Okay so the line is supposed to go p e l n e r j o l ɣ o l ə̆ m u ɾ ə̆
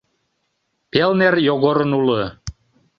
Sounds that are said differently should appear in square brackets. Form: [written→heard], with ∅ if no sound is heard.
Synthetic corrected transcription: p e l n e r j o [l→∅] ɣ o [l→ɾ] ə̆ [m→n] u [ɾ→l] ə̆

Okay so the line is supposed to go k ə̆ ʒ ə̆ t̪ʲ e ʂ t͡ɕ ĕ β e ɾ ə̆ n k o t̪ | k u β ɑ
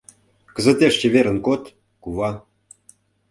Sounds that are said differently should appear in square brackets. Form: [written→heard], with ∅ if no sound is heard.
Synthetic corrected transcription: k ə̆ [ʒ→z] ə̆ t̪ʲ e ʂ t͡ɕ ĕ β e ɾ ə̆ n k o t̪ | k u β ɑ

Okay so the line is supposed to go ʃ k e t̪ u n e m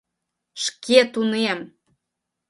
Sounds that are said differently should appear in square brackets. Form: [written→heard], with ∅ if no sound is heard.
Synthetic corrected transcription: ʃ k e t̪ u n e m

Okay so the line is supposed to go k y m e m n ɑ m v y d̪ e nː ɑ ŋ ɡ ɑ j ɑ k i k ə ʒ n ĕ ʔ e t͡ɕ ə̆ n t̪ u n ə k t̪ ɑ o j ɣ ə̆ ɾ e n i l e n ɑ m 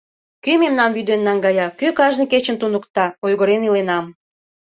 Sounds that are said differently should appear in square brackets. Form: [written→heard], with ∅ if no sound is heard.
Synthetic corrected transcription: k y m e m n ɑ m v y d̪ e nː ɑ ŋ ɡ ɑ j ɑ k [i→y] k [ə→ɑ] ʒ n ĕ [ʔ→k] e t͡ɕ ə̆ n t̪ u n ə k t̪ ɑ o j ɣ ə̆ ɾ e n i l e n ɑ m

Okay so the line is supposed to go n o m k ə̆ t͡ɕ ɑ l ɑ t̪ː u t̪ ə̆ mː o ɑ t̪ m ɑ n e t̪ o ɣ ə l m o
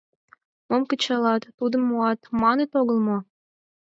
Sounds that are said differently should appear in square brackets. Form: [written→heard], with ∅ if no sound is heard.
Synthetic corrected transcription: [n→m] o m k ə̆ t͡ɕ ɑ l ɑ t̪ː u [t̪→d̪] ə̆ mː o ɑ t̪ m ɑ n e t̪ o ɣ ə l m o

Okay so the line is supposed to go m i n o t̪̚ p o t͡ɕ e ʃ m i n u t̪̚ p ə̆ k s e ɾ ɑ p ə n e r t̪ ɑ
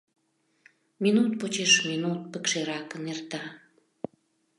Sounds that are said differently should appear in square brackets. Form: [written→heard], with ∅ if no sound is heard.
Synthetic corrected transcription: m i n [o→u] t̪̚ p o t͡ɕ e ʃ m i n u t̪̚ p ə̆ k [s→ʃ] e ɾ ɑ [p→k] ə n e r t̪ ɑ

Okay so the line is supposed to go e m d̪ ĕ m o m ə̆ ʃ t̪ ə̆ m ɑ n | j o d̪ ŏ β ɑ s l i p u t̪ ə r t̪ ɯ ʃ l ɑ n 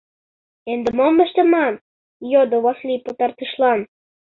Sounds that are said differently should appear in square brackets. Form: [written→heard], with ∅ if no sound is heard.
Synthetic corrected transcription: e [m→n] d̪ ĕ m o m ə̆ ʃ t̪ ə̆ m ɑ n | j o d̪ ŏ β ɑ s l i p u t̪ [ə→ɑ] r t̪ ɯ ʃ l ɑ n

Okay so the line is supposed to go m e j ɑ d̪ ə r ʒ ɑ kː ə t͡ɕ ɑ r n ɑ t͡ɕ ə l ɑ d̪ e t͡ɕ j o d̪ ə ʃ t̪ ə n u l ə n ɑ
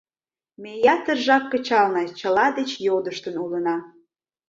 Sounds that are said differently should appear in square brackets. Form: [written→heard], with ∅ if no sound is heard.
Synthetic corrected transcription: m e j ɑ [d̪→t̪] ə r ʒ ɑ kː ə t͡ɕ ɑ [r→l] n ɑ t͡ɕ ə l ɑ d̪ e t͡ɕ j o d̪ ə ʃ t̪ ə n u l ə n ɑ

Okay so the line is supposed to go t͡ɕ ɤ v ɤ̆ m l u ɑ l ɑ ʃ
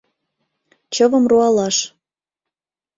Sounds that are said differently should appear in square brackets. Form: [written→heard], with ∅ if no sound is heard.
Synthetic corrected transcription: t͡ɕ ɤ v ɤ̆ m [l→r] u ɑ l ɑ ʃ

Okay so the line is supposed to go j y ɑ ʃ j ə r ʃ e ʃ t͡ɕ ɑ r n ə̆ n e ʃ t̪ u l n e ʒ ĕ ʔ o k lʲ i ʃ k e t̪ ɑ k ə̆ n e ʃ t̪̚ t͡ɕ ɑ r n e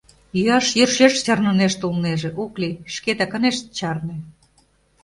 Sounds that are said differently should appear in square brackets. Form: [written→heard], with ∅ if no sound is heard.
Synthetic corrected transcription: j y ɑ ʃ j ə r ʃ e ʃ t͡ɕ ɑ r n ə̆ n e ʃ t̪ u l n e ʒ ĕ ʔ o k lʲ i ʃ k e t̪ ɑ k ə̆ n e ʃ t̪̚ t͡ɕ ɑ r n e

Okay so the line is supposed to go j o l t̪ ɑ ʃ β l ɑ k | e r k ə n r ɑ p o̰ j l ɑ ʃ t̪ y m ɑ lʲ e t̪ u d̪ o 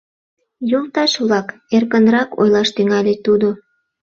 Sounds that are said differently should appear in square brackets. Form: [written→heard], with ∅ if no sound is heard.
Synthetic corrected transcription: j o l t̪ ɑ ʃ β l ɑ k | e r k ə n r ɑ [p→k] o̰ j l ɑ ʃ t̪ y [m→ŋ] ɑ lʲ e t̪ u d̪ o

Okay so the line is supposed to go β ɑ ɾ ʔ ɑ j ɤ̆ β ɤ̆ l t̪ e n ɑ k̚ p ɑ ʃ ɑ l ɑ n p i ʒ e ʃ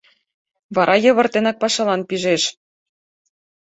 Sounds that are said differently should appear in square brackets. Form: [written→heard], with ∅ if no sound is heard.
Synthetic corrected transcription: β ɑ ɾ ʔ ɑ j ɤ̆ β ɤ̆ [l→r] t̪ e n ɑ k̚ p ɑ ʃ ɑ l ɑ n p i ʒ e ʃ

